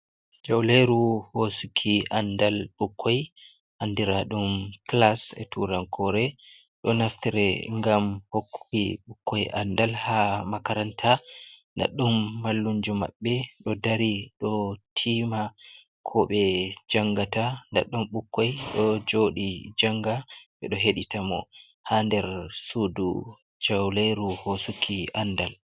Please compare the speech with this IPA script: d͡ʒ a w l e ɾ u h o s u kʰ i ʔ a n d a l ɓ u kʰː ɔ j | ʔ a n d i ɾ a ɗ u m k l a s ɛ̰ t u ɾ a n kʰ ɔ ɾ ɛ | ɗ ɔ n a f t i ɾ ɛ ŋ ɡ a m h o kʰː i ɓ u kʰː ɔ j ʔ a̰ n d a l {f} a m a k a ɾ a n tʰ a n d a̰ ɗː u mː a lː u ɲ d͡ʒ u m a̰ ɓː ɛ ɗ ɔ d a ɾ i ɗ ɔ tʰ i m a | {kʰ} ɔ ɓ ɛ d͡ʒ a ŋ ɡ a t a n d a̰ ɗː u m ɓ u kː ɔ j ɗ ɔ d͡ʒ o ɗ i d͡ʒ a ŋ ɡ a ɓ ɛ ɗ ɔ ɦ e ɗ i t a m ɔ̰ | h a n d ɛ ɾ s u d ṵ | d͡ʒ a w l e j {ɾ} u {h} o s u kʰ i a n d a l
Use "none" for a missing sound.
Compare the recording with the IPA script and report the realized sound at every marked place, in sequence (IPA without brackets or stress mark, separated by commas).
h, kʰ, ɾ, h